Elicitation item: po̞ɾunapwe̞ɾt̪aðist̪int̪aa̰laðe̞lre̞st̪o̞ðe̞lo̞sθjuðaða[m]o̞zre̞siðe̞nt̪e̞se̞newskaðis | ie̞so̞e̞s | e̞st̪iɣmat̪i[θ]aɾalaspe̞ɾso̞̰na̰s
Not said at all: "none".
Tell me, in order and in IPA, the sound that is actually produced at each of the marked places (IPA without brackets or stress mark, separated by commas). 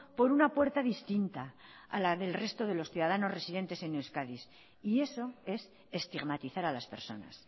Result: n, θ